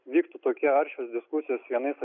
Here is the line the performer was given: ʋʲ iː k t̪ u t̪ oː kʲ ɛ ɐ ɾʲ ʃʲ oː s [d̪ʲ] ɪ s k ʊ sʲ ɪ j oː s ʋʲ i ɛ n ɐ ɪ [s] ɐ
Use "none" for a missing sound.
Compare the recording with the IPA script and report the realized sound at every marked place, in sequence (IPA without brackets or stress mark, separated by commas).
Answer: d̪ʲ, s